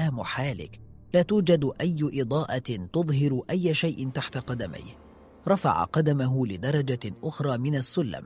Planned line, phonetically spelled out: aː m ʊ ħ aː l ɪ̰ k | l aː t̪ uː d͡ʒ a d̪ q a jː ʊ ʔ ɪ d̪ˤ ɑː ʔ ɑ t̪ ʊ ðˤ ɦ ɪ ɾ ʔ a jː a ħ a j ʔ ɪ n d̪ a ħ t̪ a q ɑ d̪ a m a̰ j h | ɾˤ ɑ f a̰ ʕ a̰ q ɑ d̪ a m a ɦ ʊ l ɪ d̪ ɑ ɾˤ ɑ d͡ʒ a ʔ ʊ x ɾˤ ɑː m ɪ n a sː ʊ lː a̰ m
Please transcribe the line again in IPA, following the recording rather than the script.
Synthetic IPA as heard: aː m ʊ ħ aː l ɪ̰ k | l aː t̪ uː d͡ʒ a d̪ ʔ a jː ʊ ʔ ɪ d̪ˤ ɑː ʔ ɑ t̪ ʊ ðˤ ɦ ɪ ɾ ʔ a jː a ʃ a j ʔ ɪ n t̪ a ħ t̪ a q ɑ d̪ a m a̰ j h | ɾˤ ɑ f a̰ ʕ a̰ q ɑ d̪ a m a ɦ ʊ l ɪ d̪ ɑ ɾˤ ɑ d͡ʒ a ʔ ʊ x ɾˤ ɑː m ɪ n a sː ʊ lː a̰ m